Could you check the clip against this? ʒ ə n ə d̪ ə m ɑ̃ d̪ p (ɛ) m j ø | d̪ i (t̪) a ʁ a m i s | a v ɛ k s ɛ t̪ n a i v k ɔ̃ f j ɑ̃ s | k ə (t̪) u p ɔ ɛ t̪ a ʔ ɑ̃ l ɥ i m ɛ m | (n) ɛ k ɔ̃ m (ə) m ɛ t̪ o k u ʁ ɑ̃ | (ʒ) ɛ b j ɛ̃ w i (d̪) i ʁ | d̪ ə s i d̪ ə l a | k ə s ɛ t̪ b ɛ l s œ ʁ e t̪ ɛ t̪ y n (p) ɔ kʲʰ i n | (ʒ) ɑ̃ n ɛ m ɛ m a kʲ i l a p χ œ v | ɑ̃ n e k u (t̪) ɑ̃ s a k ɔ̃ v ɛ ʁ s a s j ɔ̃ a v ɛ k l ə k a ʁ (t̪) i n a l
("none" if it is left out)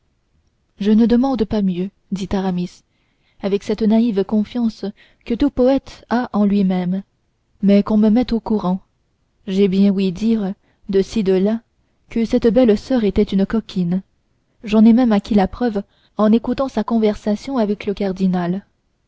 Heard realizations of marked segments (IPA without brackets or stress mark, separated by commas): a, t̪, t̪, m, ə, ʒ, d̪, k, ʒ, t̪, d̪